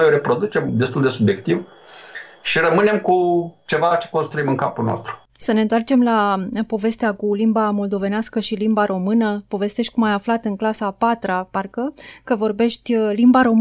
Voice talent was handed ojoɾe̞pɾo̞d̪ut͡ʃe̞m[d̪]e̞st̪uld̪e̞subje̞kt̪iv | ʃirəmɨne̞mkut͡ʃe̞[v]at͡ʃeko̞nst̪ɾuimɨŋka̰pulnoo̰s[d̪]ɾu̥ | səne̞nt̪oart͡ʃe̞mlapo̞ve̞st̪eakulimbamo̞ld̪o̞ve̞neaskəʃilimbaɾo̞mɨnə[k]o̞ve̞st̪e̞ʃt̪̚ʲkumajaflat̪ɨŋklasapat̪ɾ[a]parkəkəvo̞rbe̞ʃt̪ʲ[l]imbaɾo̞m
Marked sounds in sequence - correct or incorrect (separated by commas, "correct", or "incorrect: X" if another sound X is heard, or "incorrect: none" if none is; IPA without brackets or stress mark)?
correct, correct, incorrect: t̪, incorrect: p, correct, correct